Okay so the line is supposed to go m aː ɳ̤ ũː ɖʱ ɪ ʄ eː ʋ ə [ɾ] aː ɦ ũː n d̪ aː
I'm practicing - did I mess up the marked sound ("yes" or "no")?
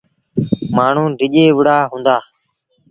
yes